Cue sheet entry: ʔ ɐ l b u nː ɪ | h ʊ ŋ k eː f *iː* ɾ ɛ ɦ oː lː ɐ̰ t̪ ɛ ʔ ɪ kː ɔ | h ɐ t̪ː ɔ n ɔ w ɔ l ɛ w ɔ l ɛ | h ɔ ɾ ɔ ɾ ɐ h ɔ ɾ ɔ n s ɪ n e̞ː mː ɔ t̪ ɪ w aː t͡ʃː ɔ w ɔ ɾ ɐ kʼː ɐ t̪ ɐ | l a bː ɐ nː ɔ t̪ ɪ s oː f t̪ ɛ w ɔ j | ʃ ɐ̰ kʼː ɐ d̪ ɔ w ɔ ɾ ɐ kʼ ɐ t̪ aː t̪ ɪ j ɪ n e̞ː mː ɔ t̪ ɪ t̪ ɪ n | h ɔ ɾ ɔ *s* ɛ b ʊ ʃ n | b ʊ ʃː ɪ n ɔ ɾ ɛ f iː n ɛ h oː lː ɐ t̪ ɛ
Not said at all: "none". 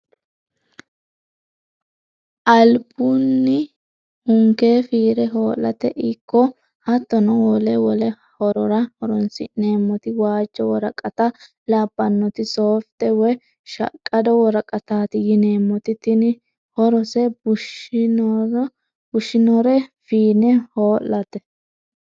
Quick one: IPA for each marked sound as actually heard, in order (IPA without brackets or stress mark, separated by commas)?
iː, s